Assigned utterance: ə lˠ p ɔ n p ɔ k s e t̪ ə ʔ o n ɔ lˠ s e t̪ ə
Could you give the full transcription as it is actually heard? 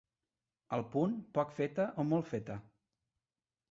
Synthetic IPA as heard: ə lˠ p u n p ɔ k f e t̪ ə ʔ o m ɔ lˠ f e t̪ ə